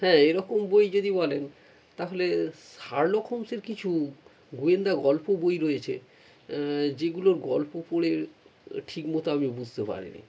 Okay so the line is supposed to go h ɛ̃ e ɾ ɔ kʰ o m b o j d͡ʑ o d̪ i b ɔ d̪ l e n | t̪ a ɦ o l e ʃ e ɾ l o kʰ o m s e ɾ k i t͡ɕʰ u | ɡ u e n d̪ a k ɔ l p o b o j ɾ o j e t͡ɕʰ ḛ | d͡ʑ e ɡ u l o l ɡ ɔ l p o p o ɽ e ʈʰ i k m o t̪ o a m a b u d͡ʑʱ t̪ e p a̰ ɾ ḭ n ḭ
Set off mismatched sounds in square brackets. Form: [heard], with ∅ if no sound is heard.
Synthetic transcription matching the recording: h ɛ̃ e ɾ ɔ [k] o m b o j d͡ʑ o d̪ i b ɔ [∅] l e n | t̪ a ɦ o l e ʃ [a] ɾ l o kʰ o m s e ɾ k i t͡ɕʰ u | ɡ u e n d̪ a [ɡ] ɔ l p o b o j ɾ o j e t͡ɕʰ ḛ | d͡ʑ e ɡ u l o [ɾ] ɡ ɔ l p o p o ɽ e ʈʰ i k m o t̪ o a m [i] b u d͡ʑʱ t̪ e p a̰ ɾ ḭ n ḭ

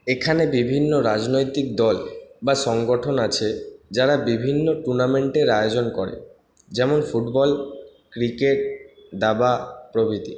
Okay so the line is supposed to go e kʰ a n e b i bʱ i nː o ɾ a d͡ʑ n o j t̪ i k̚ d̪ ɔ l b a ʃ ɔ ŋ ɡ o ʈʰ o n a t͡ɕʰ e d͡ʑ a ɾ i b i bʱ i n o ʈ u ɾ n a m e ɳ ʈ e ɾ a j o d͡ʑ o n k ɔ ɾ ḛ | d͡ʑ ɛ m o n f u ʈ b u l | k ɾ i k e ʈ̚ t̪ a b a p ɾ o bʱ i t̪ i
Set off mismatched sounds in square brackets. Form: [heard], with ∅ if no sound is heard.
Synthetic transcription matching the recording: e kʰ a n e b i bʱ i nː o ɾ a d͡ʑ n o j t̪ i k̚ d̪ ɔ l b a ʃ ɔ ŋ ɡ o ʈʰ o n a t͡ɕʰ e d͡ʑ a ɾ [a] b i bʱ i [nː] o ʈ u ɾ n a m e ɳ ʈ e ɾ a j o d͡ʑ o n k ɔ ɾ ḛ | d͡ʑ ɛ m o n f u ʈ b [ɔ] l | k ɾ i k e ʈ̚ [d̪] a b a p ɾ o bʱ i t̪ i

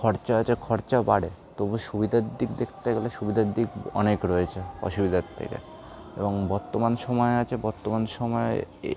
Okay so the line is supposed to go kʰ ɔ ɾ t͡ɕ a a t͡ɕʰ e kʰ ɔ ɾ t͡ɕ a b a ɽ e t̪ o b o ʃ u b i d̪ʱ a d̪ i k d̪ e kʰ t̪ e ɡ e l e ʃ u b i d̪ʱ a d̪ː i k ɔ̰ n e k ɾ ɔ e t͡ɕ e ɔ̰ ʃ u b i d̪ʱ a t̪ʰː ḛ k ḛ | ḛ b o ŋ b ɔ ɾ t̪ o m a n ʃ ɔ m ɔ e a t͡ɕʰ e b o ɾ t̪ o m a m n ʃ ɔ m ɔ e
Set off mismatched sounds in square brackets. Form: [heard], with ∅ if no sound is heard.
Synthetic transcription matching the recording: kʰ ɔ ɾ t͡ɕ a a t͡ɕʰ e kʰ ɔ ɾ t͡ɕ a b a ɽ e t̪ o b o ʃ u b i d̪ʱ a d̪ i k d̪ e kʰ t̪ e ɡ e l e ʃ u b i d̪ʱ a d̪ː i k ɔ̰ n e k ɾ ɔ e [t͡ɕʰ] e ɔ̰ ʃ u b i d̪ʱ a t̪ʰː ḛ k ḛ | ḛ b o ŋ b ɔ ɾ t̪ o m a n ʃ ɔ m ɔ e a t͡ɕʰ e b [ɔ] ɾ t̪ o m a [∅] n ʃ ɔ m ɔ e

